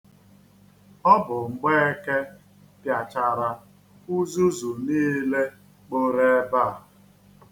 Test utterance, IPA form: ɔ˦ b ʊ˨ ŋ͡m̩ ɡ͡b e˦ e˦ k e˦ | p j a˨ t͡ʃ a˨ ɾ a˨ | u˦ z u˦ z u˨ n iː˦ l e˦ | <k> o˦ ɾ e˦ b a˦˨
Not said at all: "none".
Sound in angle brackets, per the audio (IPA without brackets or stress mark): k͡p